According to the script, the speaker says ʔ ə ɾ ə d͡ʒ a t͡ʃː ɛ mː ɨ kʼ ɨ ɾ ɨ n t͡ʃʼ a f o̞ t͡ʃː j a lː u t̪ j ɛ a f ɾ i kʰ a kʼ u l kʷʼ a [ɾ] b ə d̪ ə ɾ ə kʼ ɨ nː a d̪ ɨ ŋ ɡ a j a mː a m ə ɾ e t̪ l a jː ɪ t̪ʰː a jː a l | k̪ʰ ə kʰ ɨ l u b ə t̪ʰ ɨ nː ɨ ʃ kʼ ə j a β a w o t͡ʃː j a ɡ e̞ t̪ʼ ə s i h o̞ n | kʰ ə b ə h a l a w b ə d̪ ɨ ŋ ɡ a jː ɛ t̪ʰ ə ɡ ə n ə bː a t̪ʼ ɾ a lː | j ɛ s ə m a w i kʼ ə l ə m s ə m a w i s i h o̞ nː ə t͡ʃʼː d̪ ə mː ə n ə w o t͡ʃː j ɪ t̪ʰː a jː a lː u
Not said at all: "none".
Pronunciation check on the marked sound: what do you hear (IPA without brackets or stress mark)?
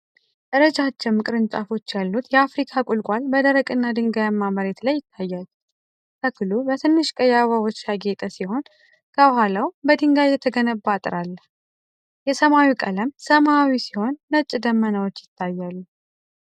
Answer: l